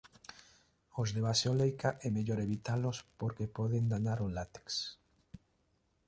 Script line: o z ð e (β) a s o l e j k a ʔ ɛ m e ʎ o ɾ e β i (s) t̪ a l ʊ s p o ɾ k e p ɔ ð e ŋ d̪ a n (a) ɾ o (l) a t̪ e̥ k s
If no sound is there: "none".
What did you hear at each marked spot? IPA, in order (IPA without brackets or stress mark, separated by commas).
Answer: β, none, a, l